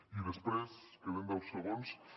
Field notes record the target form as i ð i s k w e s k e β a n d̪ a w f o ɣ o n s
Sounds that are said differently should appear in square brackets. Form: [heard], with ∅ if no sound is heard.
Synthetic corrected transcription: i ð [e] s [p] w e s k e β [e] n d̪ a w [s] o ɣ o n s